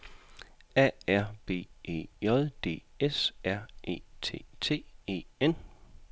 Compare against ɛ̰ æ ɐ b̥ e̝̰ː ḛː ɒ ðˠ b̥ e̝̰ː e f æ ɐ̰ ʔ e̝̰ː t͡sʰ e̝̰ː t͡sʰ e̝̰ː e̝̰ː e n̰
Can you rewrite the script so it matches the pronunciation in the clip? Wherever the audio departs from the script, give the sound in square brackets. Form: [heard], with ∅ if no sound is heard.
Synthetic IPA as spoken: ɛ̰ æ ɐ b̥ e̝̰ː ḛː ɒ ðˠ [d̥] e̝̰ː e [s] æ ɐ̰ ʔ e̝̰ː t͡sʰ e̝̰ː t͡sʰ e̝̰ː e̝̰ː e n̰